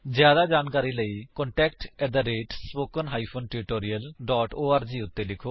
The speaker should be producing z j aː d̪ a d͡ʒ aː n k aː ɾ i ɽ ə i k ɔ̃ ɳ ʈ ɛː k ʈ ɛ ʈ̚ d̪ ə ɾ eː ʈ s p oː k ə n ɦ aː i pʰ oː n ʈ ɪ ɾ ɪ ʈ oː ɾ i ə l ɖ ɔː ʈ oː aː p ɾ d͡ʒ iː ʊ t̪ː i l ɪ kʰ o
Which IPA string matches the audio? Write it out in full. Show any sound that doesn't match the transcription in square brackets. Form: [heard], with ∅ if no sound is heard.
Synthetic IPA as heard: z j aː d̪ a d͡ʒ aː n k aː ɾ i [l] ə i k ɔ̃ ɳ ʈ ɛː k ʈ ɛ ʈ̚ d̪ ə ɾ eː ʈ s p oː k ə n ɦ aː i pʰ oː n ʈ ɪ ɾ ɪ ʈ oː ɾ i ə l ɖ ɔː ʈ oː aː [∅] ɾ d͡ʒ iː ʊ t̪ː [e] l ɪ kʰ o